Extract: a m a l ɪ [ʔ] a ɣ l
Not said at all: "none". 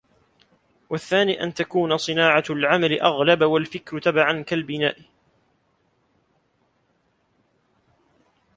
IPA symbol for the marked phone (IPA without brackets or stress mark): ʔ